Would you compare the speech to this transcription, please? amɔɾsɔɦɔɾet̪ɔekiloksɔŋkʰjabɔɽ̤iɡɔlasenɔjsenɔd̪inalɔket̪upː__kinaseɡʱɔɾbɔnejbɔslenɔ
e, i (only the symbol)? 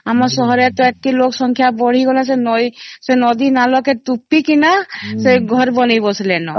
i